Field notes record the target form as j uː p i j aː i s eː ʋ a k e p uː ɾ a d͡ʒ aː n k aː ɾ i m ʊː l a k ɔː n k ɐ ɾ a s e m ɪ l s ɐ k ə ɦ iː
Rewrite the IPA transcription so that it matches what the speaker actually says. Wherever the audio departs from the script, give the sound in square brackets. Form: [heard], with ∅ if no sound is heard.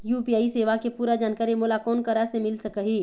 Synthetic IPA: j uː p i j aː i s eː ʋ a k e p uː ɾ a d͡ʒ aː n k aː ɾ i m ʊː l a k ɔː n k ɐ ɾ a s e m ɪ l s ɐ k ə ɦ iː